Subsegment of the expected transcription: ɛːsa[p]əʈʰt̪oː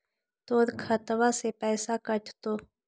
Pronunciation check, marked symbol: incorrect: k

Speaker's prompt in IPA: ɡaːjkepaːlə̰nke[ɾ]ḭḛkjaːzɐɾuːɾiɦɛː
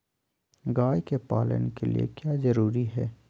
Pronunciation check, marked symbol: incorrect: l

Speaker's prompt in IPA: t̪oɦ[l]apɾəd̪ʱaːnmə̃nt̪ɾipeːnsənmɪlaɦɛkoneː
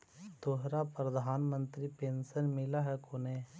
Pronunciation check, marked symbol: incorrect: ɾ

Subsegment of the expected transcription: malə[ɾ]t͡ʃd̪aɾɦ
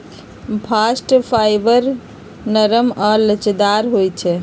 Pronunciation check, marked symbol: incorrect: none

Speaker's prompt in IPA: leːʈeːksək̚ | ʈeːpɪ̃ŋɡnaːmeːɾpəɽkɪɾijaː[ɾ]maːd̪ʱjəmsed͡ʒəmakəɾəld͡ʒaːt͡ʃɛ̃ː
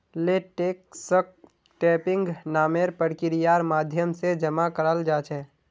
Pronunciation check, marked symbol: correct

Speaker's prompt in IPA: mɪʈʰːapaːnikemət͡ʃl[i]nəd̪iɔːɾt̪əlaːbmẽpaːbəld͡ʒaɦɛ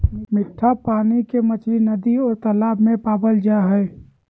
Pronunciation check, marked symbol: correct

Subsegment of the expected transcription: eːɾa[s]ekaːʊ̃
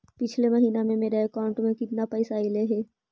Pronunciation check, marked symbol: incorrect: none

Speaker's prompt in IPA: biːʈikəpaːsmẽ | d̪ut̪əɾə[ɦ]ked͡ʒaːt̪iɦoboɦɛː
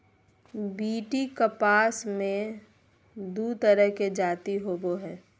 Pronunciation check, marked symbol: correct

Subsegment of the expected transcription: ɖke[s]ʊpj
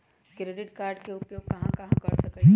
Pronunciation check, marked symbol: incorrect: none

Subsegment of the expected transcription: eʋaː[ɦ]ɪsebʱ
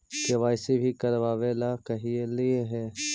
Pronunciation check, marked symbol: incorrect: none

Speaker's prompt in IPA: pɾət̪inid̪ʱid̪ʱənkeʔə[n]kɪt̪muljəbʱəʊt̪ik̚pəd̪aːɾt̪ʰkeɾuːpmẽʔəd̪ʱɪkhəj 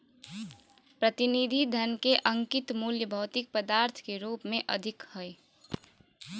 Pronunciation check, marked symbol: incorrect: ŋ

